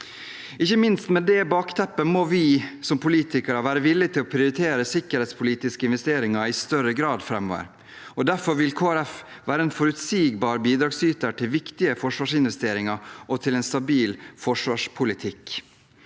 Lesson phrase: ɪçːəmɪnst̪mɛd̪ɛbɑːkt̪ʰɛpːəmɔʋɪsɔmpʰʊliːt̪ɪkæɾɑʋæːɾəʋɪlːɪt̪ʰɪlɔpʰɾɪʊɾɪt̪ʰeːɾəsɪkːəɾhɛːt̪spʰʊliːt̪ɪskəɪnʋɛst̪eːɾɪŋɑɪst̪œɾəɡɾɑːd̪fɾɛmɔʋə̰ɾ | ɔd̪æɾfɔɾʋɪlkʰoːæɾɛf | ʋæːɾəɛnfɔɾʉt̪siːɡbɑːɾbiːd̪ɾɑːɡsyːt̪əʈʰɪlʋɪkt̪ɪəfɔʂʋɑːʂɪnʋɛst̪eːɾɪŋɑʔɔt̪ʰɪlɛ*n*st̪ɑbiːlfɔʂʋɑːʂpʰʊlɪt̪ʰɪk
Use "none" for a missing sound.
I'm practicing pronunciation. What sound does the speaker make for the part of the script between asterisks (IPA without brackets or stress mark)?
n